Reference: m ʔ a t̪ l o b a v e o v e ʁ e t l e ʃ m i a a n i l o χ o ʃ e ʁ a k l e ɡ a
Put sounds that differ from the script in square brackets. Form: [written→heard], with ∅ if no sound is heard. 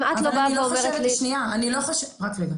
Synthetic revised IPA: m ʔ a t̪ l o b a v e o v e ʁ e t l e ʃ [m→n] i a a n i l o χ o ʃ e ʁ a k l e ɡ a